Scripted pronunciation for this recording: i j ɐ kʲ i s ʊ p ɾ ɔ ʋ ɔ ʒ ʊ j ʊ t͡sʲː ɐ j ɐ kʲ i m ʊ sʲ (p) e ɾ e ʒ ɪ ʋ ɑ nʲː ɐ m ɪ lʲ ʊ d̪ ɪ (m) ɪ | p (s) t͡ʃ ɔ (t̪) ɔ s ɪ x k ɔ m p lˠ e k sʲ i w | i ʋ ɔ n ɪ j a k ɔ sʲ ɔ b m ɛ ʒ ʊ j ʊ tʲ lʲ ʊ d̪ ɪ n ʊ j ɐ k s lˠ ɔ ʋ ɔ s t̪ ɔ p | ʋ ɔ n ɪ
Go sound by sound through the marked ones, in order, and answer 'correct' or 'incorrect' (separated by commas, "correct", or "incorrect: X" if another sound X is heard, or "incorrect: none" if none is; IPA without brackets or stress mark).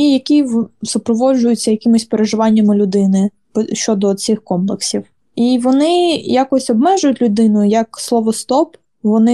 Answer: correct, incorrect: n, incorrect: ʃ, incorrect: d̪